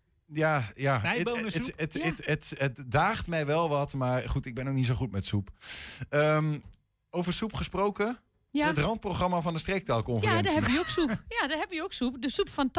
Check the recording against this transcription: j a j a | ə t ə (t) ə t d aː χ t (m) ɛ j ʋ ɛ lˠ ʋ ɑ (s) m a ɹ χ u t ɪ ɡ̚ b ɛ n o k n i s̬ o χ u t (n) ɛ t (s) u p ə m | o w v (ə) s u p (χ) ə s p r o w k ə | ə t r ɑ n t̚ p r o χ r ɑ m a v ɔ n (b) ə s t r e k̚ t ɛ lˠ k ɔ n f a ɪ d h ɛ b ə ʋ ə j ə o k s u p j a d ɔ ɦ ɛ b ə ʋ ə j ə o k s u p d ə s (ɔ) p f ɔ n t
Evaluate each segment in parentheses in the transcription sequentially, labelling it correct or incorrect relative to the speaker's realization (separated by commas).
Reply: correct, correct, incorrect, incorrect, correct, correct, correct, incorrect, incorrect